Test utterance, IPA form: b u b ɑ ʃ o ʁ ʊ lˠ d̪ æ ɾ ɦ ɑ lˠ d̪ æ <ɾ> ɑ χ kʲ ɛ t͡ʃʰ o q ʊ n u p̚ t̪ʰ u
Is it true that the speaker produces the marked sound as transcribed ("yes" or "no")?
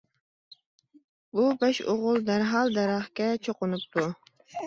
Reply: yes